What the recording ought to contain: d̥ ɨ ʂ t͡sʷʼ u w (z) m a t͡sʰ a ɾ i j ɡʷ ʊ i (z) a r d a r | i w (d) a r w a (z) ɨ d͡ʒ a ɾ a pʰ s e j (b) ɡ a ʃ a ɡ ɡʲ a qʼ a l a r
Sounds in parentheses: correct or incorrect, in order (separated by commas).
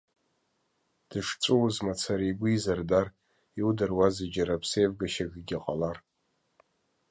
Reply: correct, correct, correct, correct, incorrect